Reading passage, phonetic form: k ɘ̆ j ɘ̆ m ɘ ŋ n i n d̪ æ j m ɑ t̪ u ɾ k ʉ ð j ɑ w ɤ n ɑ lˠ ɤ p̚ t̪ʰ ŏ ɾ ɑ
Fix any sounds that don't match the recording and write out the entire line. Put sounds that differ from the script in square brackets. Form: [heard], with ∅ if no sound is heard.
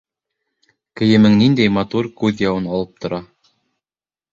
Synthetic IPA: k ɘ̆ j ɘ̆ m ɘ ŋ n i n d̪ æ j m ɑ t̪ u ɾ k ʉ ð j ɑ w ɤ n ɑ lˠ ɤ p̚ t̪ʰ ŏ ɾ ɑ